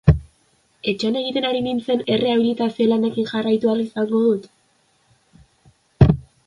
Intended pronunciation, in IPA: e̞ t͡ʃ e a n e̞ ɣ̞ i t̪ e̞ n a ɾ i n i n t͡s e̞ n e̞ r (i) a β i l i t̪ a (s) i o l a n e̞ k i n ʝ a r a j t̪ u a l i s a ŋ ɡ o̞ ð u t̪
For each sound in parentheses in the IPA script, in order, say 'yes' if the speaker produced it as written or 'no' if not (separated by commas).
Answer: no, yes